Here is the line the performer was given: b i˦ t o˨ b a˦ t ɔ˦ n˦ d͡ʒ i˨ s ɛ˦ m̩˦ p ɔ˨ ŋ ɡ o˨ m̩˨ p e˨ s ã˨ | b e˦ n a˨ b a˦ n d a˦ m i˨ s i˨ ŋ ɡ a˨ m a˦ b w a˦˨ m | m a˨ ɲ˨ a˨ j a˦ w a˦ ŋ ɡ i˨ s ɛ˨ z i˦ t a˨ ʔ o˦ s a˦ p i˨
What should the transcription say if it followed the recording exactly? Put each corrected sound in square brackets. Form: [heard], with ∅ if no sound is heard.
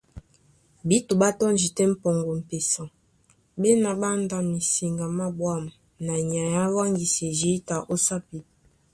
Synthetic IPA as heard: b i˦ t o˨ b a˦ t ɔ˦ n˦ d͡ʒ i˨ [t] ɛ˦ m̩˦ p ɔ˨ ŋ ɡ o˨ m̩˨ p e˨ s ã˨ | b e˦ n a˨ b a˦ n d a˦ m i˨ s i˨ ŋ ɡ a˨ m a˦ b w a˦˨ m | [n] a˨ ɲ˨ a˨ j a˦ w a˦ ŋ ɡ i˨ s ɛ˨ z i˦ t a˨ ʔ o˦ s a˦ p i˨

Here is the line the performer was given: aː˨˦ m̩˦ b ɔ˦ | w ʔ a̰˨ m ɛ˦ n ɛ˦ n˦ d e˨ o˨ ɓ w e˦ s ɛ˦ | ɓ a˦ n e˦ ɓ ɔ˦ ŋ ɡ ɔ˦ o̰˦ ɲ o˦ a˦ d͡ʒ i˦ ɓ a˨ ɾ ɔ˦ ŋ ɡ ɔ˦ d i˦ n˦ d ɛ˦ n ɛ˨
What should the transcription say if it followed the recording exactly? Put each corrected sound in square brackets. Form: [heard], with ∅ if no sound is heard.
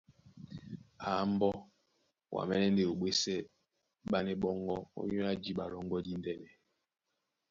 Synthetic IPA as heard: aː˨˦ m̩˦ b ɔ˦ | w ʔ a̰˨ m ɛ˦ n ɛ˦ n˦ d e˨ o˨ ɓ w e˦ s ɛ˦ | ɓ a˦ n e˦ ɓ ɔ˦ ŋ ɡ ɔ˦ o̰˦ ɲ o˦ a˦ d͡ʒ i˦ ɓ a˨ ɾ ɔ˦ ŋ ɡ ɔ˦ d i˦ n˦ d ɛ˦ n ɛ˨

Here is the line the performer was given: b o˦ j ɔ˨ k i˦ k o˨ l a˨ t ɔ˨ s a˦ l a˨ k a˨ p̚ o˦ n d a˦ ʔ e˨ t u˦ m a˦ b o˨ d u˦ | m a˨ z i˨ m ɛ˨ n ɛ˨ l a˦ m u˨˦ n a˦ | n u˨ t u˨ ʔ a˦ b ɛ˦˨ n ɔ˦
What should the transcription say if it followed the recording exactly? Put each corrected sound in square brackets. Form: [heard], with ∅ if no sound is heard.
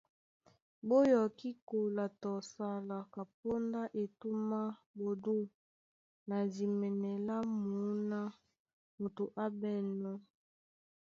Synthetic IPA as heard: b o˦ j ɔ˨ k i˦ k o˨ l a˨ t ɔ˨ s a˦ l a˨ k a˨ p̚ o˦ n d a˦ ʔ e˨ t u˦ m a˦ b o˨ d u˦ | [n] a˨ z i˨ m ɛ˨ n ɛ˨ l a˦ m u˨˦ n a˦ | [m] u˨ t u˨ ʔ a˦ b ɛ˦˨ n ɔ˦

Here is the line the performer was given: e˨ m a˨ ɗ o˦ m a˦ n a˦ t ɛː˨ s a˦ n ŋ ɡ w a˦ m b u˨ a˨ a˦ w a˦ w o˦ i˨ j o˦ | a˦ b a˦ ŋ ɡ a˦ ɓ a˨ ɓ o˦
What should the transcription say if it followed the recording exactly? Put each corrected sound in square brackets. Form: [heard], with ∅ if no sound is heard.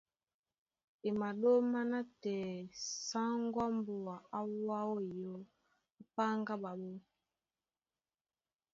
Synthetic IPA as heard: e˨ m a˨ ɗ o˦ m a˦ n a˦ t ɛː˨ s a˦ [∅] ŋ ɡ w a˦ m b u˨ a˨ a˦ w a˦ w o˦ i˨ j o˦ | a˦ [p] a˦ ŋ ɡ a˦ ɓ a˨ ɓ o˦

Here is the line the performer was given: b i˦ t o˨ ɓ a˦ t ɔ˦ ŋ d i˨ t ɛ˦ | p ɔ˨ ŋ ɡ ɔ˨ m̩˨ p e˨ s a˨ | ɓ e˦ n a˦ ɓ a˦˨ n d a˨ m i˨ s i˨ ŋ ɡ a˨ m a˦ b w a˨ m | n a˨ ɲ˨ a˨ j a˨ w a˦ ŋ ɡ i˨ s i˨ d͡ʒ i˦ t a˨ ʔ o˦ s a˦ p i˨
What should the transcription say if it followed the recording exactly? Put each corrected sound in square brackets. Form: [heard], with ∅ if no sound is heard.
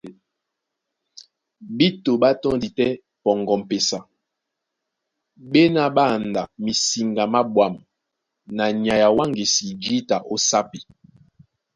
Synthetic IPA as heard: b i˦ t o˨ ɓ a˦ t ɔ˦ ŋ d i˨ t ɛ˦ | p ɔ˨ ŋ ɡ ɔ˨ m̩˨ p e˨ s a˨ | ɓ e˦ n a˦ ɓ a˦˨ n d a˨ m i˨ s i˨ ŋ ɡ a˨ m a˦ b w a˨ m | n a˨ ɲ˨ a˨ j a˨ w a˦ ŋ ɡ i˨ s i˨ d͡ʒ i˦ t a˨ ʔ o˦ s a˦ p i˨

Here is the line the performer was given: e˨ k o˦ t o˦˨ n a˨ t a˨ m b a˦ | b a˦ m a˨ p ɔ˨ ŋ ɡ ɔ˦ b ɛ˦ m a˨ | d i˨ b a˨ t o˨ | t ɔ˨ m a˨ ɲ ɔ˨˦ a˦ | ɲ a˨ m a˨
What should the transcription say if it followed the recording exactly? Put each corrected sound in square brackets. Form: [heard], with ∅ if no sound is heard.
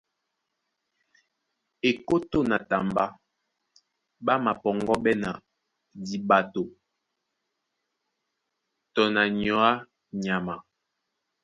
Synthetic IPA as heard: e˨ k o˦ t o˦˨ n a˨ t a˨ m b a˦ | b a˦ m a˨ p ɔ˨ ŋ ɡ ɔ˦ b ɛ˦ [n] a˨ | d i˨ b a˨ t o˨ | t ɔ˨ [n] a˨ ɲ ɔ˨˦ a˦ | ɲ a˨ m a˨

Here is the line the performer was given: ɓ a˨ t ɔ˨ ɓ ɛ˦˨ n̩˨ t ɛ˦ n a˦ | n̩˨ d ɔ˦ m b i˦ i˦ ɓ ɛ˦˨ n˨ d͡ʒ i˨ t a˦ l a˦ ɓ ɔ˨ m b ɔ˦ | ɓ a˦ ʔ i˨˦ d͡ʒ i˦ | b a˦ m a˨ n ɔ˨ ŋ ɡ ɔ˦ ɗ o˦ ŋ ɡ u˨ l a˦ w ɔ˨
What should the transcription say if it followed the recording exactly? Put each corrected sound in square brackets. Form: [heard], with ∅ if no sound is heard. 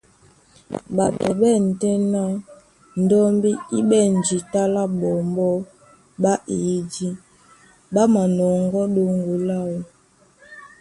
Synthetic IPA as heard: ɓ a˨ t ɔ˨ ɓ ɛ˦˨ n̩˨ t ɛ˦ n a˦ | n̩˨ d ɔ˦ m b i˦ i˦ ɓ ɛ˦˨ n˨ d͡ʒ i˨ t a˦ l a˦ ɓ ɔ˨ m b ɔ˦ | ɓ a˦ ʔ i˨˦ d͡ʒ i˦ | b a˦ m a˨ n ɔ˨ ŋ ɡ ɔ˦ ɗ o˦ ŋ ɡ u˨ l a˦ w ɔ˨

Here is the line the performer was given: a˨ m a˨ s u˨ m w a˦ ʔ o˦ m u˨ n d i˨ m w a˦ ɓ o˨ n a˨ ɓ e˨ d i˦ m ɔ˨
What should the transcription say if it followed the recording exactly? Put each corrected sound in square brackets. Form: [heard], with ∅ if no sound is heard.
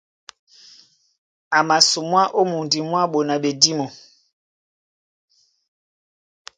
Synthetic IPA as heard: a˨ m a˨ s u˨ m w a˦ ʔ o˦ m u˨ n d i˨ m w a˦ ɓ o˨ n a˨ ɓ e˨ d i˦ m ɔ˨

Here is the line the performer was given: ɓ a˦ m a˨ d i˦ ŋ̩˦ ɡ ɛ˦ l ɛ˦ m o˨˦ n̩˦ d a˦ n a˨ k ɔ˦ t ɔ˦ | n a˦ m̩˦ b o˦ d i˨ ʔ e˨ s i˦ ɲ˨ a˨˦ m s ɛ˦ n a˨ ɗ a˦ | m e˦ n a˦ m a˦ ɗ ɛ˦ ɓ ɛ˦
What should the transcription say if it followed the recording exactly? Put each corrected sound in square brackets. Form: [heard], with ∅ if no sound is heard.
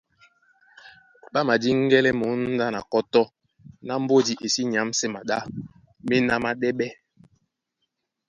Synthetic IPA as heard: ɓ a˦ m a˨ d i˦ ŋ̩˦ ɡ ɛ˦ l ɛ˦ m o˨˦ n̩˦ d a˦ n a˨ k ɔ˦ t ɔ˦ | n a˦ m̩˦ b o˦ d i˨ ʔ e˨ s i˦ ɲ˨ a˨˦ m s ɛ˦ [m] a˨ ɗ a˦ | m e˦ n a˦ m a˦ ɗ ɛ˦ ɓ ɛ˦

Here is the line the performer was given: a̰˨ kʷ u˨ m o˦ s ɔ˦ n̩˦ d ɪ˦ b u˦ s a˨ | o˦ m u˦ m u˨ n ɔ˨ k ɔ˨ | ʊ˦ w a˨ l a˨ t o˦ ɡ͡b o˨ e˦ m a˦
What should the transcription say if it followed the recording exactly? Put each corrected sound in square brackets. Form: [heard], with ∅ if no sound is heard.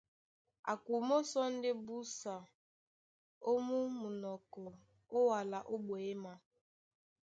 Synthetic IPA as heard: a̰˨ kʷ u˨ m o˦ s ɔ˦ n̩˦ d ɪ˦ b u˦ s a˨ | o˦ m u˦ m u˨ n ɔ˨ k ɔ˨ | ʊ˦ w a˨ l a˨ [ʔ] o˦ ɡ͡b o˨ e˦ m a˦

